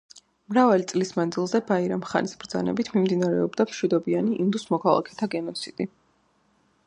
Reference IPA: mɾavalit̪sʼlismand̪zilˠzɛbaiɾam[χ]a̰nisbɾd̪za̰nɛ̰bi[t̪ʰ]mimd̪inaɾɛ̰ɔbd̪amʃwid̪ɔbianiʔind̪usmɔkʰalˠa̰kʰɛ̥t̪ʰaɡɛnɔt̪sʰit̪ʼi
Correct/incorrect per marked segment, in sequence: correct, correct

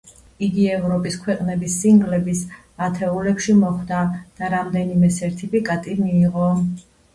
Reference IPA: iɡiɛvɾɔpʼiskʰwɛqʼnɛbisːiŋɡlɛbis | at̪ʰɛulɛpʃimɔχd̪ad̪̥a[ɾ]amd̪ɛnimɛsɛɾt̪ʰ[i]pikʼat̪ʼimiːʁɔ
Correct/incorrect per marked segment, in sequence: correct, correct

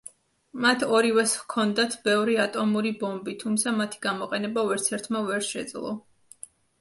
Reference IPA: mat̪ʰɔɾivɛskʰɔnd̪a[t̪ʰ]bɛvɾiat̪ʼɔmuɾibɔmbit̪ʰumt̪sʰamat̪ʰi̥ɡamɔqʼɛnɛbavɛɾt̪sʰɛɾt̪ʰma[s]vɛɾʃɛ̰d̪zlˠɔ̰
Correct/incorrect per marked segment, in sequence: correct, incorrect

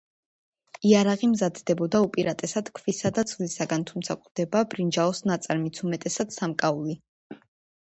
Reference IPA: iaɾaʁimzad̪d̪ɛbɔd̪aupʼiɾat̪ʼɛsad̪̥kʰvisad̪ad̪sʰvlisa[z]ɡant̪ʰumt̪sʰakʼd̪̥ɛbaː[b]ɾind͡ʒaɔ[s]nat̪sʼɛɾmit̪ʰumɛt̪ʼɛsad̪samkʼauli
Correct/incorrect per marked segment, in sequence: incorrect, correct, correct

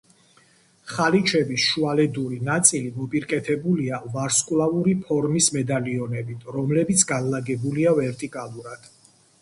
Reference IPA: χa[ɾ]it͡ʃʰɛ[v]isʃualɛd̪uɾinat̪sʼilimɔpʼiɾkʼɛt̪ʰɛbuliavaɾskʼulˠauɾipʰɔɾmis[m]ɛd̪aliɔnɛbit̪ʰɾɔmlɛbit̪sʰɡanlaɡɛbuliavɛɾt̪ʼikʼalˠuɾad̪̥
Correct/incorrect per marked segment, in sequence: incorrect, incorrect, correct

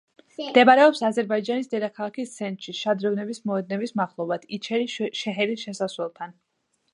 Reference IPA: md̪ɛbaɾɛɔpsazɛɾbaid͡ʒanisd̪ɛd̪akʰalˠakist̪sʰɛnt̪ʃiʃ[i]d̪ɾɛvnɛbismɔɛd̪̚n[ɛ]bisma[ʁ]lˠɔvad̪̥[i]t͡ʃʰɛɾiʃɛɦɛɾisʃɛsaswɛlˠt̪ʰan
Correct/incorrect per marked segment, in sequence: incorrect, correct, incorrect, correct

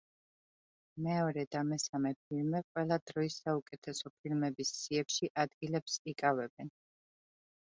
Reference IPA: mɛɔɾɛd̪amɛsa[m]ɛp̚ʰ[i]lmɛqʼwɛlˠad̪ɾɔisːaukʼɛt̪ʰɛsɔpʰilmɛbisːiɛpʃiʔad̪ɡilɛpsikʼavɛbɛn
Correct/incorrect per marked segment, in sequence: correct, correct

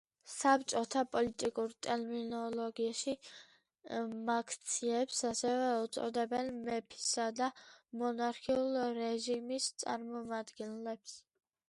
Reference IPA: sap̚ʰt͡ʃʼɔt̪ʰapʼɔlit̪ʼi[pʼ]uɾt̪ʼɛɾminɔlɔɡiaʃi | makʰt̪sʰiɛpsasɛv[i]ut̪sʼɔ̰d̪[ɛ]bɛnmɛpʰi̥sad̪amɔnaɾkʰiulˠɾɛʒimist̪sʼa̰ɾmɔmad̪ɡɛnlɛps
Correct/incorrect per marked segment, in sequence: incorrect, incorrect, correct

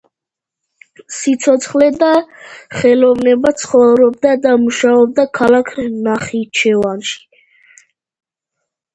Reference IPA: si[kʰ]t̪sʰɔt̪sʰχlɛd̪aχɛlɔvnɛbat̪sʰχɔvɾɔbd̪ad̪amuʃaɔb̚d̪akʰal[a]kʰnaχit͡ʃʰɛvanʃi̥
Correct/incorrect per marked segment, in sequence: incorrect, correct

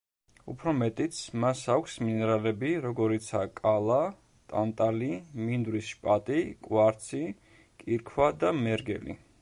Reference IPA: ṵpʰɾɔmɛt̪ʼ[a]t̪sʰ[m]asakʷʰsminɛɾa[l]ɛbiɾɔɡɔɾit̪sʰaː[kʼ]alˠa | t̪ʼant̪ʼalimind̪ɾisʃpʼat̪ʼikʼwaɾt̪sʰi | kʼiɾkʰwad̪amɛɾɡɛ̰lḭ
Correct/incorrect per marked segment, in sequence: incorrect, correct, correct, correct

